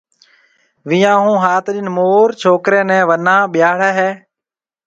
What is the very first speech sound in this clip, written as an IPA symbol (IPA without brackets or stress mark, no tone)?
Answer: ʋ